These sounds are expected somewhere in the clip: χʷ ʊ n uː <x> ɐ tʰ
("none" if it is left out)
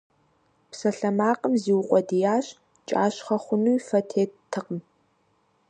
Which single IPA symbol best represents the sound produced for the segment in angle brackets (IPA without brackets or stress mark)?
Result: f